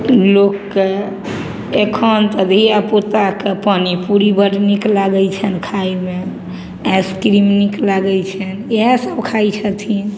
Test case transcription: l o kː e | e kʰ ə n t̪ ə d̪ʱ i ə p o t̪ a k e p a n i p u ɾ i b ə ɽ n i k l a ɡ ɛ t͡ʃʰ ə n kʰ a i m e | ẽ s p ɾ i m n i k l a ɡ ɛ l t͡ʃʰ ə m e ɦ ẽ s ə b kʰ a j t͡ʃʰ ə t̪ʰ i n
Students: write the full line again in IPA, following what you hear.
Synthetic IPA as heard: l o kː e | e kʰ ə n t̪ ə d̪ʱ i a p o t̪ a k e p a n i p u ɾ i b ə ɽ n i k l a ɡ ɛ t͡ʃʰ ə n kʰ a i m e | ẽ s k ɾ i m n i k l a ɡ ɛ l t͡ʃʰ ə n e ɦ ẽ s ə b kʰ a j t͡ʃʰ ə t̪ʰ i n